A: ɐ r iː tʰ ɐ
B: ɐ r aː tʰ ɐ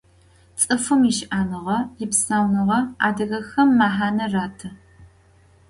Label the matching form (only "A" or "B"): B